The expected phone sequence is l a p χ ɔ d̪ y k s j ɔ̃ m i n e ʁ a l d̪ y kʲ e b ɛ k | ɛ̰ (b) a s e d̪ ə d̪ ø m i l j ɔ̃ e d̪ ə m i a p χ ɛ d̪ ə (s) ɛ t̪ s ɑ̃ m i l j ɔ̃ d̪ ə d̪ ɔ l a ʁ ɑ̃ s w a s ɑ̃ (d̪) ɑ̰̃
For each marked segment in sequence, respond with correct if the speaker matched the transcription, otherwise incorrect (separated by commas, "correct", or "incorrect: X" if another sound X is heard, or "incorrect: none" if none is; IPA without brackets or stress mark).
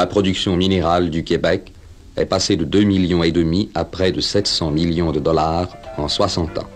incorrect: p, correct, incorrect: t̪